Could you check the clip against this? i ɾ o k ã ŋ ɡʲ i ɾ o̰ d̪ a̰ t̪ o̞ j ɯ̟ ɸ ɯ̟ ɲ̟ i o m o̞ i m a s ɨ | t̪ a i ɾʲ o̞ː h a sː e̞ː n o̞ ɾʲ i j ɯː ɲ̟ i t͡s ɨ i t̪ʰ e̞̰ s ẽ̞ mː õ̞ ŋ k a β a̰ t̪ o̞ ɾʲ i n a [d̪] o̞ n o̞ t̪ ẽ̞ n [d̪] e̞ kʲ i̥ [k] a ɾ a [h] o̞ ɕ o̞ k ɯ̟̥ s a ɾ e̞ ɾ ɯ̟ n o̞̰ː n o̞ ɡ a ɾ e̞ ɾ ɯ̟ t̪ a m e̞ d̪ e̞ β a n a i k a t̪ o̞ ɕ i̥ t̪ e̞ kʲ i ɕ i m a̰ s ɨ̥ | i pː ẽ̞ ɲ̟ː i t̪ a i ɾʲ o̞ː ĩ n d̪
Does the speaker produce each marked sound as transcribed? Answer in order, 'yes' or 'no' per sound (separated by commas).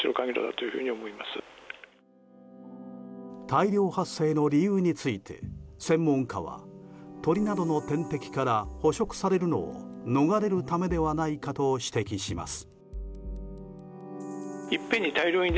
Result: yes, no, yes, yes